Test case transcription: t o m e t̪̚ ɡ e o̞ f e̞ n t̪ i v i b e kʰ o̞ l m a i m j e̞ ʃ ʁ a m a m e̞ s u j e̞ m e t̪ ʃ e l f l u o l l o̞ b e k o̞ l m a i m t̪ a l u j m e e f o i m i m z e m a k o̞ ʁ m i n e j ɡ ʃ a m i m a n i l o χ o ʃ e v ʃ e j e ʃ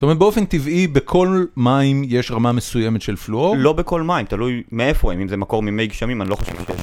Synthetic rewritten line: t o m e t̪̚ b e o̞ f e̞ n t̪ i v i b e kʰ o̞ l m a i m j e̞ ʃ ʁ a m a m e̞ s u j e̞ m e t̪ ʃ e l f l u o l l o̞ b e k o̞ l m a i m t̪ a l u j m e e f o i m i m z e m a k o̞ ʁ m i m e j ɡ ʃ a m i m a n i l o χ o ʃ e v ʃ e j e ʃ